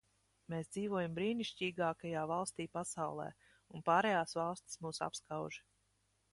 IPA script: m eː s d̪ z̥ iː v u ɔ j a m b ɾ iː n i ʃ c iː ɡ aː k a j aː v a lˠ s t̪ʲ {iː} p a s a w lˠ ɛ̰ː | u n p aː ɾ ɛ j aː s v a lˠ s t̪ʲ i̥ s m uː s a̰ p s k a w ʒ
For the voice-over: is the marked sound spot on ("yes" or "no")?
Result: yes